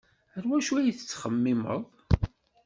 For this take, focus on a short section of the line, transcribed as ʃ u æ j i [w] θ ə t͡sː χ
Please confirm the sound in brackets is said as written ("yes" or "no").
no